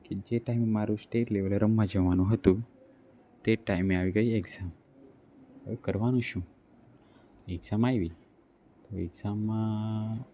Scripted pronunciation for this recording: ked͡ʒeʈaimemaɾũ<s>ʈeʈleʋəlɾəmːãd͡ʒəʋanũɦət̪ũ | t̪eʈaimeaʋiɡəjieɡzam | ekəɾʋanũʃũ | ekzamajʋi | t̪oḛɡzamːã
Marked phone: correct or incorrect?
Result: correct